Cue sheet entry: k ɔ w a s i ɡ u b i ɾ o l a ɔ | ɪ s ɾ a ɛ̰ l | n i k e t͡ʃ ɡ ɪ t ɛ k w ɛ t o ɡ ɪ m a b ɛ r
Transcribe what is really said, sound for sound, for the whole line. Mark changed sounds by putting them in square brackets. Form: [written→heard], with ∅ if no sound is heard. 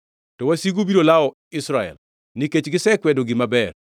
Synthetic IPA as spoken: [k→t] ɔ w a s i ɡ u b i ɾ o l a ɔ | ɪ s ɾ a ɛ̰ l | n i k e t͡ʃ ɡ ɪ [t→s] ɛ k w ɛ [t→d] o ɡ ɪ m a b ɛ r